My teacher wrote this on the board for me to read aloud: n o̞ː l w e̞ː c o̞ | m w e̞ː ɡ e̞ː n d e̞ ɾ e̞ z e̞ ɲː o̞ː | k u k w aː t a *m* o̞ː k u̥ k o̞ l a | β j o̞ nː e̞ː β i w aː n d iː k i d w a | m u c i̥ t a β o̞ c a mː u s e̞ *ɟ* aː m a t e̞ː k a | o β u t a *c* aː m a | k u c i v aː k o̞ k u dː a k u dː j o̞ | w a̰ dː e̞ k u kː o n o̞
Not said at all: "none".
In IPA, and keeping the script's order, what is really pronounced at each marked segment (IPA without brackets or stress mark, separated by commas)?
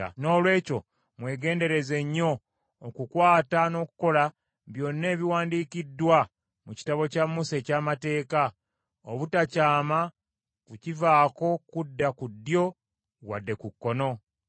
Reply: n, c, c